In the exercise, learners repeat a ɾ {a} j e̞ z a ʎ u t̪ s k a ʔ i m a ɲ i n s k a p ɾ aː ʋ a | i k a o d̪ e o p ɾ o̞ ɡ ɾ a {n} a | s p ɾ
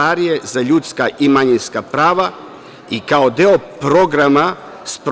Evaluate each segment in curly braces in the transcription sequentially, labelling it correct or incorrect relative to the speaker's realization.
incorrect, incorrect

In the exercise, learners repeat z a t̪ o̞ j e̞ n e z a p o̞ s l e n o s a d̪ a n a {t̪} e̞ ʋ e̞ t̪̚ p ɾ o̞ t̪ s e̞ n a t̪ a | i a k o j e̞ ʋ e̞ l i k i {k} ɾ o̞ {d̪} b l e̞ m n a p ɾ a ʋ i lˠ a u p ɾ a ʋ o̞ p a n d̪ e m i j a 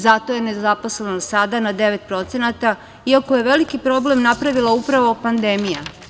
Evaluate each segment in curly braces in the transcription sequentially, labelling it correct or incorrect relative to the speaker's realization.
incorrect, incorrect, incorrect

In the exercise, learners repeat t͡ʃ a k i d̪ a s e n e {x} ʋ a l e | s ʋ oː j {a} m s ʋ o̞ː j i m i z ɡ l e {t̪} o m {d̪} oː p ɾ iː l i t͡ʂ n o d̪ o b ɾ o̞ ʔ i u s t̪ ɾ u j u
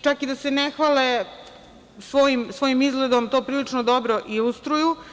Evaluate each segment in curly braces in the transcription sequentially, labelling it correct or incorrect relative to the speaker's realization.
correct, incorrect, incorrect, incorrect

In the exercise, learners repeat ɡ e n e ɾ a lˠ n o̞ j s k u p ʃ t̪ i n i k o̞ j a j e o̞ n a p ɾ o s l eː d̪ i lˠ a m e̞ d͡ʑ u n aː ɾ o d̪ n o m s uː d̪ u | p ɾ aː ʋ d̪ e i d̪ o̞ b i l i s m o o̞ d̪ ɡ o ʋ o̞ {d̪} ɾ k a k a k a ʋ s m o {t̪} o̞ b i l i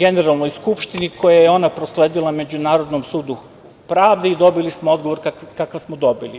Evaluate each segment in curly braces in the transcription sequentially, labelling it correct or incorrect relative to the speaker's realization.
incorrect, incorrect

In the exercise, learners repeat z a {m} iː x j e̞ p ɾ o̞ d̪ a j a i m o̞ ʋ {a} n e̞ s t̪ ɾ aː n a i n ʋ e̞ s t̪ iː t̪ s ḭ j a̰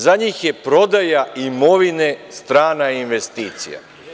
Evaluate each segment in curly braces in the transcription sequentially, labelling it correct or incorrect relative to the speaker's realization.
incorrect, incorrect

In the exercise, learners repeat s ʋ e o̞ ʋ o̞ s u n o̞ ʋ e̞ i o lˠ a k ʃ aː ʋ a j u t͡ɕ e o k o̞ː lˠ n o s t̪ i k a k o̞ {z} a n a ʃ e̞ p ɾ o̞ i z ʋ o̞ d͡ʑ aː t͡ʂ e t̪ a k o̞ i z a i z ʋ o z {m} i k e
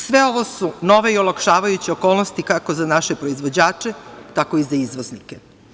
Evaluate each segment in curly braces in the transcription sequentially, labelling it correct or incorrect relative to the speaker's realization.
correct, incorrect

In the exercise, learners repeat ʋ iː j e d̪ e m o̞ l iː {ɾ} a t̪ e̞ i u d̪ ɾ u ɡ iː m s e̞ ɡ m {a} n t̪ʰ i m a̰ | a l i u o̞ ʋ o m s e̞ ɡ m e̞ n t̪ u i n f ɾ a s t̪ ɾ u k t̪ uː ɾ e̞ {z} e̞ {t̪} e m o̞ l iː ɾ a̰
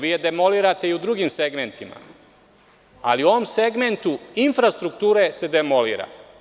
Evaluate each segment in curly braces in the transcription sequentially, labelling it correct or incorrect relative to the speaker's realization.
correct, incorrect, incorrect, incorrect

